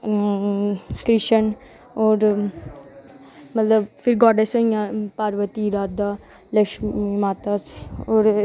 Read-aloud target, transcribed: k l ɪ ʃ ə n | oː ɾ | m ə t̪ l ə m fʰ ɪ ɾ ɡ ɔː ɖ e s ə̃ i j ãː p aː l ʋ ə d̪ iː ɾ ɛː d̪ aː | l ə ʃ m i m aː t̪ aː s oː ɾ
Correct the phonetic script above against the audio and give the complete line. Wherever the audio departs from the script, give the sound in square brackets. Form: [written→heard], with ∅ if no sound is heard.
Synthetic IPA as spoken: k [l→ɾ] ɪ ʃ ə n | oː ɾ | m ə t̪ l ə [m→b] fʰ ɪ ɾ ɡ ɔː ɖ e s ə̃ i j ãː p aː [l→ɾ] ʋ ə [d̪→t̪] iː ɾ [ɛː→aː] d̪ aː | l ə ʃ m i m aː t̪ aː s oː ɾ